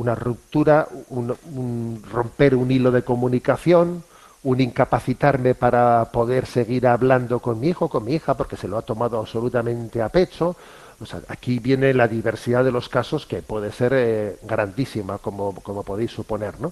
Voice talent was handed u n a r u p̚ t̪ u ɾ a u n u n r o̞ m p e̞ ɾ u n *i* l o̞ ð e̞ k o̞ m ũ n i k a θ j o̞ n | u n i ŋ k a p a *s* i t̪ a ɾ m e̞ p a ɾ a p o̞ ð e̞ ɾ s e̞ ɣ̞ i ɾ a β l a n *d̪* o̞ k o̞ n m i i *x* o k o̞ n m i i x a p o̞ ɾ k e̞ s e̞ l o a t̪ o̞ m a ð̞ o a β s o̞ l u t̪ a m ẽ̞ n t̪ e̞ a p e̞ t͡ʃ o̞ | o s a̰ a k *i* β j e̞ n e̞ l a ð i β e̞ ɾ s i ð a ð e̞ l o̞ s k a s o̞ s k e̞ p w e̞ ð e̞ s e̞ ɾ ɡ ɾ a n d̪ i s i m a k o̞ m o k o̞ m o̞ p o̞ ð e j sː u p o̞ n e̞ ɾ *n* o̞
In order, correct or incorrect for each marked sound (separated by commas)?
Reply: correct, incorrect, correct, correct, correct, correct